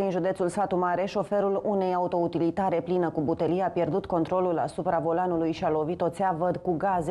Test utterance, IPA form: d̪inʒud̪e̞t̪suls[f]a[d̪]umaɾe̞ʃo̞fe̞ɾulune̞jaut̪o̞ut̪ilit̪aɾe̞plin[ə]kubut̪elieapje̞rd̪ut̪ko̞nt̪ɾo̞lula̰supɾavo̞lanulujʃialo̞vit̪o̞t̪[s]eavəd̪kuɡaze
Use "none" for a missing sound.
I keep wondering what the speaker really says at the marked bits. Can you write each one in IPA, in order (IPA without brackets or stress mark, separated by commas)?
f, t̪, ə, s